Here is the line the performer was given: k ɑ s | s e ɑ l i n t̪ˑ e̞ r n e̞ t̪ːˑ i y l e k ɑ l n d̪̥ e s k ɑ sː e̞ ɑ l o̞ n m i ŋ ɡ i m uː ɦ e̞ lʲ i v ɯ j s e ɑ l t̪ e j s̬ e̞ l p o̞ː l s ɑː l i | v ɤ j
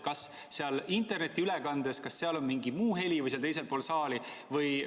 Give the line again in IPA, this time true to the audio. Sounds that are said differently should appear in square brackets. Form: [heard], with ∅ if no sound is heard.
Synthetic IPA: k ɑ s | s e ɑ l i n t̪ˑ e̞ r n e̞ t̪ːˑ i y l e k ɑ [∅] n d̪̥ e s k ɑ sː e̞ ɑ l o̞ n m i ŋ ɡ i m uː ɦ e̞ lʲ i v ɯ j s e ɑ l t̪ e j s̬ e̞ l p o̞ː l s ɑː l i | v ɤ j